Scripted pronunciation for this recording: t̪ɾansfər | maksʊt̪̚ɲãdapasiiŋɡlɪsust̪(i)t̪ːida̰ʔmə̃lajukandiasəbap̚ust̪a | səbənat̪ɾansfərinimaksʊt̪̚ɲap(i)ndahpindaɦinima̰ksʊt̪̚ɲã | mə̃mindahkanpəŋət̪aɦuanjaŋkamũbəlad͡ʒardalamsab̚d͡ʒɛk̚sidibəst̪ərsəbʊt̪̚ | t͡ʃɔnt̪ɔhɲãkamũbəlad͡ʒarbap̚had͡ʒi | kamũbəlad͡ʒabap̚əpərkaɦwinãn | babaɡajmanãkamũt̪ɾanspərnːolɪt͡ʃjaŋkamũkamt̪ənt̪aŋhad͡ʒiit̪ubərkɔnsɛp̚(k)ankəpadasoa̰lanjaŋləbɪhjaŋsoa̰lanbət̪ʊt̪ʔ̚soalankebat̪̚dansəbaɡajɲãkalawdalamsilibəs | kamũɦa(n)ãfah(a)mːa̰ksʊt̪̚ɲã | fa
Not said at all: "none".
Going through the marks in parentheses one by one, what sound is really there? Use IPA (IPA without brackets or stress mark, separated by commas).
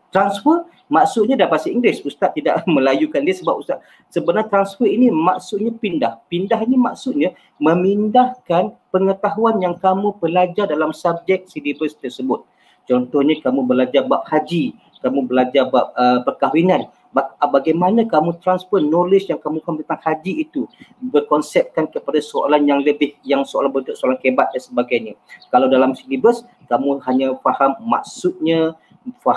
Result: a, i, k, ɲ, a